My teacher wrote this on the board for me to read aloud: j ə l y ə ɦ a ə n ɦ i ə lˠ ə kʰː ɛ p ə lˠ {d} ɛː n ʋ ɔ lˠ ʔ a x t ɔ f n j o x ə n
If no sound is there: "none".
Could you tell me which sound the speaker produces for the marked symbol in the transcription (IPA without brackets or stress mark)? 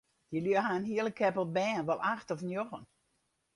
b